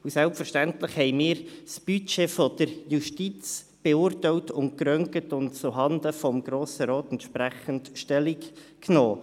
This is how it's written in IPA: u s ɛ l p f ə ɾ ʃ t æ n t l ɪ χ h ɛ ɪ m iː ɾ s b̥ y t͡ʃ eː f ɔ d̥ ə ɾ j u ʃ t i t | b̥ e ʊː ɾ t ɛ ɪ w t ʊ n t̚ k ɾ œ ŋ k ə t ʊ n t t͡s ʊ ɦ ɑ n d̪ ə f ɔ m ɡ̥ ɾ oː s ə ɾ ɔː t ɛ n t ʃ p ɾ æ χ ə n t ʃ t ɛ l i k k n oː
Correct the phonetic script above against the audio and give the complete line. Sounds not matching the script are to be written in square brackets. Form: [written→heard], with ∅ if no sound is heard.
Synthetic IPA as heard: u s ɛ l p f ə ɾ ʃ t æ n t l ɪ χ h ɛ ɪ m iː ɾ s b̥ y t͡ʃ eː f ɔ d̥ ə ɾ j u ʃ t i [t→t͡s] | b̥ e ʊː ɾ t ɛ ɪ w t ʊ n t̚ k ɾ œ ŋ k ə t ʊ n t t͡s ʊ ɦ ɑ n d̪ ə f ɔ m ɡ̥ ɾ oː s ə ɾ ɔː t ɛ n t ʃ p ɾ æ χ ə n t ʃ t ɛ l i k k n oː